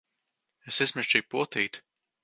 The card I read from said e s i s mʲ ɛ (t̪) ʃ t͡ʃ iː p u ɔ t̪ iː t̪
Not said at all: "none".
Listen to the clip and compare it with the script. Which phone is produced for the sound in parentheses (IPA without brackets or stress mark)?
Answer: none